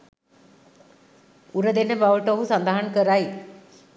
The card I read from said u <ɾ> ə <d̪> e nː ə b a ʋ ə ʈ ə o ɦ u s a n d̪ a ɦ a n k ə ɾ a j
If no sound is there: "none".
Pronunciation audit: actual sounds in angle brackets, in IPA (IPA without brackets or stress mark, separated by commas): ɾ, d̪